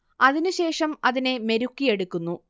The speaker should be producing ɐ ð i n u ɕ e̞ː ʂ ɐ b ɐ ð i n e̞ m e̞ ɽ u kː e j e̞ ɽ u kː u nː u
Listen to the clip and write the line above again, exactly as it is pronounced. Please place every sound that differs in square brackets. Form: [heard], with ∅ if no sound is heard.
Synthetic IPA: ɐ ð i n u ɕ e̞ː ʂ ɐ [m] ɐ ð i n e̞ m e̞ [ɾ] u kː [i] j e̞ ɽ u kː u nː u